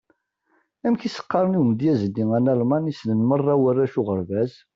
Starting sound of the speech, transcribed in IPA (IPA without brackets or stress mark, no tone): æ